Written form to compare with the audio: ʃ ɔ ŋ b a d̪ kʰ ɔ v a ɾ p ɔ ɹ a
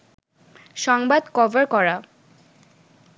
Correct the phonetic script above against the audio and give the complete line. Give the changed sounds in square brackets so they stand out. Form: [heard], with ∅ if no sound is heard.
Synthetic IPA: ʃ ɔ ŋ b a d̪ [k] ɔ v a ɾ [k] ɔ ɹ a

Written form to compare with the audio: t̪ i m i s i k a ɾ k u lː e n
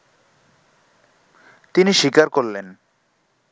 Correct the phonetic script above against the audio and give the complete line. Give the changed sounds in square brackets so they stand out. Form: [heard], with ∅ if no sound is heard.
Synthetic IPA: t̪ i [n] i [ʃ] i k a ɾ k [o] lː e n

